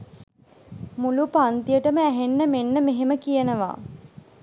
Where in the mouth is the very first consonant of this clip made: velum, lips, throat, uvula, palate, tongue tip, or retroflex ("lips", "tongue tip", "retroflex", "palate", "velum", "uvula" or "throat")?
lips